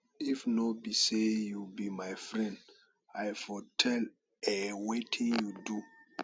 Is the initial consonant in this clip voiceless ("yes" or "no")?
yes